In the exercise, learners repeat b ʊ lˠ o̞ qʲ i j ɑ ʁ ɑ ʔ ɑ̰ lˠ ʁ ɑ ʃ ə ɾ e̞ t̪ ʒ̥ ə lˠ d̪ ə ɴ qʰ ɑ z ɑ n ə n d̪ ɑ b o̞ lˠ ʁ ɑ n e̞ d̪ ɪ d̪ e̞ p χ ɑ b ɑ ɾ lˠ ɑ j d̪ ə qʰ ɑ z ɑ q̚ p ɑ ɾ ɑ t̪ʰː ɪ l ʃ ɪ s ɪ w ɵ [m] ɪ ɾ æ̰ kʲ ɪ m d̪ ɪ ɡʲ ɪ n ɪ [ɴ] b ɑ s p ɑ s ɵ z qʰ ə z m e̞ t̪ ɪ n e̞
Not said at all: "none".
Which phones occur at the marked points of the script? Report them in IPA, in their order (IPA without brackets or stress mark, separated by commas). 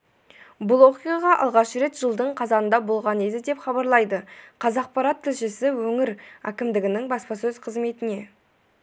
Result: ŋ, ŋ